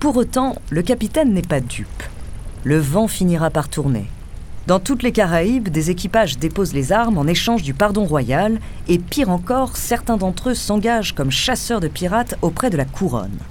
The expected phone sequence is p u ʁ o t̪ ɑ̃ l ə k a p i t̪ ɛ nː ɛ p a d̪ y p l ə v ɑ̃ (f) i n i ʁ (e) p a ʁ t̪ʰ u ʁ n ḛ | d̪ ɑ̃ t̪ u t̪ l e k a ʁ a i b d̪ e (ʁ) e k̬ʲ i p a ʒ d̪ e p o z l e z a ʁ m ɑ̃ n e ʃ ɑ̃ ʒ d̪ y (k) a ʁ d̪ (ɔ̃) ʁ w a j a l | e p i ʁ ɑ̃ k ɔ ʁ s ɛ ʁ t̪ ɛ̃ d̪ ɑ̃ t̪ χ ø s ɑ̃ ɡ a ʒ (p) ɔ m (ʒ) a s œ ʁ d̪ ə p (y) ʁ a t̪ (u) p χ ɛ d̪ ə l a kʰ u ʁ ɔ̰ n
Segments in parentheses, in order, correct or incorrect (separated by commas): correct, incorrect, incorrect, incorrect, correct, incorrect, incorrect, incorrect, incorrect